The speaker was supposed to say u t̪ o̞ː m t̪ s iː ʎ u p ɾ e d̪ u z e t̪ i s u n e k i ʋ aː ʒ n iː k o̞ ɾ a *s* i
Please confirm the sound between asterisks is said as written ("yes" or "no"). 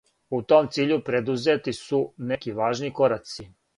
yes